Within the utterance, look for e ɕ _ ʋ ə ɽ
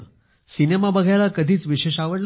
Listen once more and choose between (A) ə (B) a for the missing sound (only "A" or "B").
B